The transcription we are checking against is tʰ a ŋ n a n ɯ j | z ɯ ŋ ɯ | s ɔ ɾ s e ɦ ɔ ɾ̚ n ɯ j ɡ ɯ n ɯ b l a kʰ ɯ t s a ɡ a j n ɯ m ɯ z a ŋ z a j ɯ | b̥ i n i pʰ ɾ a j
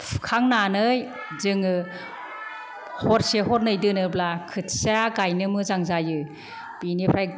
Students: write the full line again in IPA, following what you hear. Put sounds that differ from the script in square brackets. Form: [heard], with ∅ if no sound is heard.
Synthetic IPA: [kʰ] a ŋ n a n ɯ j | z ɯ ŋ ɯ | [h] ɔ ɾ s e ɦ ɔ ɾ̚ n ɯ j [d] ɯ n ɯ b l a kʰ ɯ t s a ɡ a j n ɯ m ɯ z a ŋ z a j ɯ | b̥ i n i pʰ ɾ a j